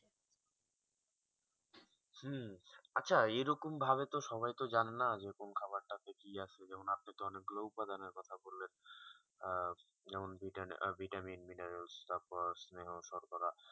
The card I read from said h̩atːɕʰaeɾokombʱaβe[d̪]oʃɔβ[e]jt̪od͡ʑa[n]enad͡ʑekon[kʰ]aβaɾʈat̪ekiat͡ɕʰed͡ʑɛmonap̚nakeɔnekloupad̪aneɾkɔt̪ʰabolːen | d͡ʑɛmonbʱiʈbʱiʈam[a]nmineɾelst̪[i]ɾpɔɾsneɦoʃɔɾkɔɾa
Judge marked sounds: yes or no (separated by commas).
no, no, yes, yes, no, no